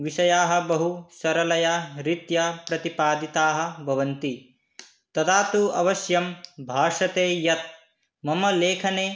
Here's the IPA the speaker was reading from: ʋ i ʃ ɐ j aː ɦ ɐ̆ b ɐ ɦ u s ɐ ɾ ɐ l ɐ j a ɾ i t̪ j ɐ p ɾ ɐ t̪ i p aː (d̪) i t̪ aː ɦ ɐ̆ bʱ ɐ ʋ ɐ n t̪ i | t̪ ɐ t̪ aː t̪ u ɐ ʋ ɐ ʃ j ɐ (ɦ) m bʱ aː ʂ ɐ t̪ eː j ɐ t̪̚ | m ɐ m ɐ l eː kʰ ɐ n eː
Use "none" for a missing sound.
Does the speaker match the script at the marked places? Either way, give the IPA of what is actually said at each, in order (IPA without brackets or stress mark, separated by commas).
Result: d̪, none